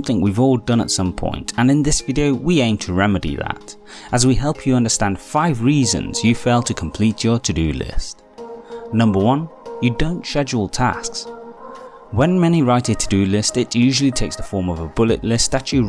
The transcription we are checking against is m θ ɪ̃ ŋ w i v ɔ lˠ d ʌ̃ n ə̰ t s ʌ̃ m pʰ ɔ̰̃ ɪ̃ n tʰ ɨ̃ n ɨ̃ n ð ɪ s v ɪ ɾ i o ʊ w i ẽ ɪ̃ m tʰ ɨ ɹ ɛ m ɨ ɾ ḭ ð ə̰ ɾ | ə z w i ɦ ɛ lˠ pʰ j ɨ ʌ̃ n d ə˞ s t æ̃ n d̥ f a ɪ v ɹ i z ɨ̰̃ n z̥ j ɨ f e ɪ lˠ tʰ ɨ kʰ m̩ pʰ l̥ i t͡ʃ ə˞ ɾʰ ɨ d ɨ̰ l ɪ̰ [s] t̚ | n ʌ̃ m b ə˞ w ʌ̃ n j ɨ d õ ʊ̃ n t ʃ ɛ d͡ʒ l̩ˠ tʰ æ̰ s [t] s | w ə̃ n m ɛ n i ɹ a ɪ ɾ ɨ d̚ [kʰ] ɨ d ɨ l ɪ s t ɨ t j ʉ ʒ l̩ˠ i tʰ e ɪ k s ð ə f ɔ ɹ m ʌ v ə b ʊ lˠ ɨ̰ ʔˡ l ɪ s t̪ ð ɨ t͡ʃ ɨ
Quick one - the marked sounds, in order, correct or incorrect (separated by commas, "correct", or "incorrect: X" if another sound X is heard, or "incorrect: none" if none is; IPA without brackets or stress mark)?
correct, incorrect: k, incorrect: tʰ